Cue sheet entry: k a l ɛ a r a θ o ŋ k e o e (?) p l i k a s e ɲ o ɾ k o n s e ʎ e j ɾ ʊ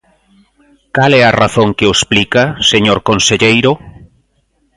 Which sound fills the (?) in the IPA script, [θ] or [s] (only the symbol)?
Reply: s